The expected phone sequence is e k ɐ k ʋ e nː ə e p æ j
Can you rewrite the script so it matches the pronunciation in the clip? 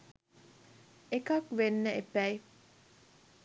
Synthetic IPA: e k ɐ k ʋ e nː ə e p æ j